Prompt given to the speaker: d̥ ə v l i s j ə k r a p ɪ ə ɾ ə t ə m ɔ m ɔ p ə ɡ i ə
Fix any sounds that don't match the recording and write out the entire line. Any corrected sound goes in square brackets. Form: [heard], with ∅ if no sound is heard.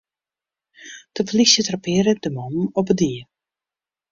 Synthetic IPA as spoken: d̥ ə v l i s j ə [t] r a p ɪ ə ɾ ə [d] ə m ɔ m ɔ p ə [d] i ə